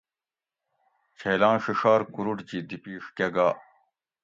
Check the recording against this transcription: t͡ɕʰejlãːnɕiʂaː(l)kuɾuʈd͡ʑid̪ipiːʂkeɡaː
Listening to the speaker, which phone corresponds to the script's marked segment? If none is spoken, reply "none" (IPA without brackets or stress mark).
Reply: ɾ